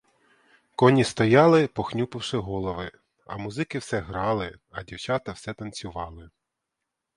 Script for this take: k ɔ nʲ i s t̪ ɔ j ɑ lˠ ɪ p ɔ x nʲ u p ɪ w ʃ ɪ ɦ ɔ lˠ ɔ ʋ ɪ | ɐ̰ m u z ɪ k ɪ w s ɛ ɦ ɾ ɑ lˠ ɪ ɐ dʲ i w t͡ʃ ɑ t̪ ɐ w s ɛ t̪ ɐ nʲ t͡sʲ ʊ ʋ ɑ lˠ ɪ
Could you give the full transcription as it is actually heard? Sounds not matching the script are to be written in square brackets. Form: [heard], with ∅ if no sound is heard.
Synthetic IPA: k ɔ nʲ i s t̪ ɔ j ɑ lˠ ɪ p ɔ x nʲ u p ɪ w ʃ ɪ ɦ ɔ lˠ ɔ ʋ ɪ | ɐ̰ m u z ɪ k ɪ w s ɛ ɦ ɾ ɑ lˠ ɪ ɐ dʲ i w t͡ʃ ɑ t̪ ɐ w s ɛ t̪ ɐ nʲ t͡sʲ ʊ ʋ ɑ lˠ ɪ

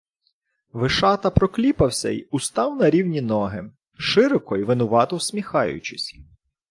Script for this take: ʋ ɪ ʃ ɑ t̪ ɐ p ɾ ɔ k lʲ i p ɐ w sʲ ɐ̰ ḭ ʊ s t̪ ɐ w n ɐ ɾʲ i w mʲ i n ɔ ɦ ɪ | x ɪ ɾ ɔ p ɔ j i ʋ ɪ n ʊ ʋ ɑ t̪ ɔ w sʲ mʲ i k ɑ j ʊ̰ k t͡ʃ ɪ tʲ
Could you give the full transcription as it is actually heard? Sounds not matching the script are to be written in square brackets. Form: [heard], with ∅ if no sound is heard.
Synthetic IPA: ʋ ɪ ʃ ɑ t̪ ɐ p ɾ ɔ k lʲ i p ɐ w sʲ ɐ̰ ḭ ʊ s t̪ [ɑ] w n ɐ ɾʲ i w [nʲ] i n ɔ ɦ ɪ | [ʃ] ɪ ɾ ɔ [k] ɔ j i ʋ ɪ n ʊ ʋ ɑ t̪ ɔ w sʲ mʲ i [x] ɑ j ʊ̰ [∅] t͡ʃ ɪ [sʲ]

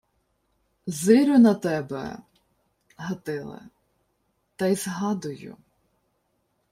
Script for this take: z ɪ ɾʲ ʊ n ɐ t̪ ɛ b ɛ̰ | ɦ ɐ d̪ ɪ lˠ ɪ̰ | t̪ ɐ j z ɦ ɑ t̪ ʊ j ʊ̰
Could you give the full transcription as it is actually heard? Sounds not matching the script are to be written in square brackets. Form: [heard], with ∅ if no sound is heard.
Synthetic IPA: z ɪ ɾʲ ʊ n ɐ t̪ ɛ b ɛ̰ | ɦ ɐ [t̪] ɪ lˠ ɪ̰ | t̪ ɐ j z ɦ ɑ [d̪] ʊ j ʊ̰

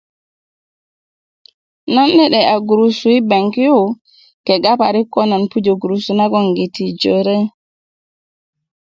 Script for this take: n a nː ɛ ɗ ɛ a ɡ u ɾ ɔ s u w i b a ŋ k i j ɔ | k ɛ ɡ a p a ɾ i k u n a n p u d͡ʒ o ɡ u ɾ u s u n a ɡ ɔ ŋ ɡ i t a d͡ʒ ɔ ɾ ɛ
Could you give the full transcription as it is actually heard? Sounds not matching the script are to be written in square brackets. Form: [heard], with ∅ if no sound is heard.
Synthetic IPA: n a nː ɛ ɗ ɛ a ɡ u ɾ [u] s u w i b a ŋ k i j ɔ | k ɛ ɡ a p a ɾ i k [ɔ] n a n p u d͡ʒ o ɡ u ɾ u s u n a ɡ ɔ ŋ ɡ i t [i] d͡ʒ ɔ ɾ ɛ

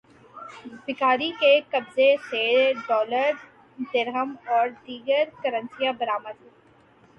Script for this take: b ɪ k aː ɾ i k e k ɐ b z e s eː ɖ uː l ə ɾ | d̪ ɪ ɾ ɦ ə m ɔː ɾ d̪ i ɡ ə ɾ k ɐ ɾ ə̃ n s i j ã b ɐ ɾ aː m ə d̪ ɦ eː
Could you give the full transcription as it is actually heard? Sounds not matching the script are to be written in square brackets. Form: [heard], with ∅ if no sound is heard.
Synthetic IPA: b ɪ k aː ɾ i k e k ɐ b z e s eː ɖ [ɔː] l ə ɾ | d̪ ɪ ɾ ɦ ə m ɔː ɾ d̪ [iː] ɡ ə ɾ k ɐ ɾ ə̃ n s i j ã b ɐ ɾ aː m ə d̪ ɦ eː

